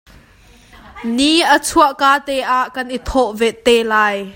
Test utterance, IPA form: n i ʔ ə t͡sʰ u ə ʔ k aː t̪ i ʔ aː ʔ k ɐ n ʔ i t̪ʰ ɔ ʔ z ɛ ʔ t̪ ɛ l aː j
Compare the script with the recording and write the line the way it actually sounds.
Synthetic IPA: n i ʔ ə t͡sʰ u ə ʔ k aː t̪ ɛ ʔ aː ʔ k ɐ n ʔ i t̪ʰ ɔ ʔ v ɛ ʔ t̪ ɛ l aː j

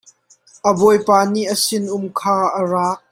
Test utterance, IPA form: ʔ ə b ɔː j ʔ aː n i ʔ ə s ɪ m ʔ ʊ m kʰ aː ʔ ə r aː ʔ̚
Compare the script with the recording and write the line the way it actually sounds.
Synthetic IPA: ʔ ə b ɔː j p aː n i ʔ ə s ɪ n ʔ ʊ m kʰ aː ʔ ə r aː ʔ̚

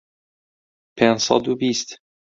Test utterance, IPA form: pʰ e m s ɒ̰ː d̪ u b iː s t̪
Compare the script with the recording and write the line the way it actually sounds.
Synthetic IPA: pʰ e n s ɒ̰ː d̪ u b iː s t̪

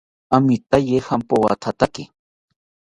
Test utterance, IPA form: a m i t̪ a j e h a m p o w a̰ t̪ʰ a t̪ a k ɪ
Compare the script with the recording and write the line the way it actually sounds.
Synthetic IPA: a m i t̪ a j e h a m p o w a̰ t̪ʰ a t̪ a k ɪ

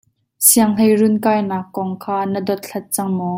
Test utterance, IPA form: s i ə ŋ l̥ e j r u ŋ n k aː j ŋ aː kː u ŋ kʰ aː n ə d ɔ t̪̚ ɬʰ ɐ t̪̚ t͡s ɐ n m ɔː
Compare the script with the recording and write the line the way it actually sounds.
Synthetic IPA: s i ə ŋ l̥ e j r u n k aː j n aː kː ɔ ŋ kʰ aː n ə d ɔ t̪̚ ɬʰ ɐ t̪̚ t͡s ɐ ŋ m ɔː

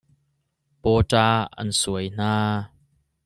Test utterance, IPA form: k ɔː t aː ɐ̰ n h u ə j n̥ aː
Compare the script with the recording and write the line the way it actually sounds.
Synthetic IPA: p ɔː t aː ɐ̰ n s u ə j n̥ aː

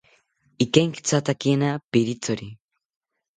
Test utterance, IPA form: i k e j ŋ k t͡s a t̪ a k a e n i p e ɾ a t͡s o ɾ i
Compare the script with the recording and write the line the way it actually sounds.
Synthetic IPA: i k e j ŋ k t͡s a t̪ a k i e n a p i ɾ i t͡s o ɾ i

